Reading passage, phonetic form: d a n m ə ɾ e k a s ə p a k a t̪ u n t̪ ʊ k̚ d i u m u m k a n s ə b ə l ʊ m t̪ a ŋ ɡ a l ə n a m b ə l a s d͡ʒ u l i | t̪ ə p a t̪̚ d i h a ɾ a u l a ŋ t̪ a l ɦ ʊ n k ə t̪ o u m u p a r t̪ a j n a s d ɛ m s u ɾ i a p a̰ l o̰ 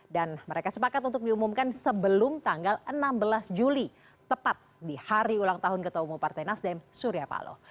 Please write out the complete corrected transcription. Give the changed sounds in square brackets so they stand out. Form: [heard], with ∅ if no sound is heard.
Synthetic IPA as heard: d a n m ə ɾ e k a s ə p a k a t̪ u n t̪ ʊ k̚ d i u m u m k a n s ə b ə l ʊ m t̪ a ŋ ɡ a l ə n a m b ə l a s d͡ʒ u l i | t̪ ə p a t̪̚ d i h a ɾ [i] u l a ŋ t̪ a [∅] ɦ ʊ n k ə t̪ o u m u p a r t̪ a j n a s d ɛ m s u ɾ i a p a̰ l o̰